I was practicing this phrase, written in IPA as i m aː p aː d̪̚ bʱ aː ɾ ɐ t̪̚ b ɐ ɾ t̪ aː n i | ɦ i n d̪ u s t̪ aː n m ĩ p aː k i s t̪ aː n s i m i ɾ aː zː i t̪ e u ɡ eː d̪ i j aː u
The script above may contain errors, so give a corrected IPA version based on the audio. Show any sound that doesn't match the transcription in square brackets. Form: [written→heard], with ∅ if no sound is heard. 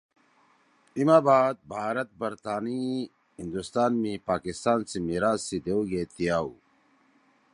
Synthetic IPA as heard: i m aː [p→b] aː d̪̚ bʱ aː ɾ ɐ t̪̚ b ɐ ɾ t̪ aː n i | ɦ i n d̪ u s t̪ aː n m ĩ p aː k i s t̪ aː n s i m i ɾ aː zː i [t̪→d̪] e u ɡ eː [d̪→t̪] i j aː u